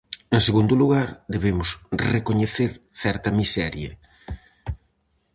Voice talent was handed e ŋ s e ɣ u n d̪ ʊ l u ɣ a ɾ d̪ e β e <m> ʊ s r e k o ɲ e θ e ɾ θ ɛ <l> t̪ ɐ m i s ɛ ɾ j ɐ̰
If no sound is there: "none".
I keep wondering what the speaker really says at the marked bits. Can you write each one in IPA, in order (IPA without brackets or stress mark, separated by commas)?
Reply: m, ɾ